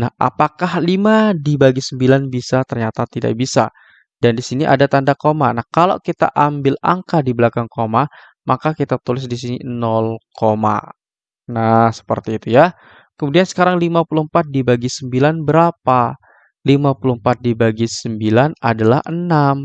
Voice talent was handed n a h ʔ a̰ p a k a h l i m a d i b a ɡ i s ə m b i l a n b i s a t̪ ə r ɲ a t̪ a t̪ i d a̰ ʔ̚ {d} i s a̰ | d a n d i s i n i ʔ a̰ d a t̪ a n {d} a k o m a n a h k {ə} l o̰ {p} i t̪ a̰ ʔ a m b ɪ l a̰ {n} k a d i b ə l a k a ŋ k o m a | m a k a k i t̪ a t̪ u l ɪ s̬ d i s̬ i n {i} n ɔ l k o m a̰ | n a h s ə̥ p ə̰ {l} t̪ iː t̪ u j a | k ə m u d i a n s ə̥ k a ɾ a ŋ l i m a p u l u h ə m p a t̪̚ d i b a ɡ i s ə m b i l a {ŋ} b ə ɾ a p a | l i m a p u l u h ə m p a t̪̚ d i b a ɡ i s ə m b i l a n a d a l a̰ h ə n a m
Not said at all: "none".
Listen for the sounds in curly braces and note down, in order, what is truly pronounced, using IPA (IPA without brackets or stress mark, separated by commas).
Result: b, d, a, k, ŋ, i, r, n